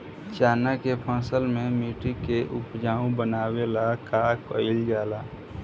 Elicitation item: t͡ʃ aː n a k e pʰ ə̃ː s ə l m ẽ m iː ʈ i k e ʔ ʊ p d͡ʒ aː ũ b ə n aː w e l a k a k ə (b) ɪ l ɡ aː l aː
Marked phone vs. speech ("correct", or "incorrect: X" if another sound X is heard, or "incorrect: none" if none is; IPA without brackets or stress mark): incorrect: none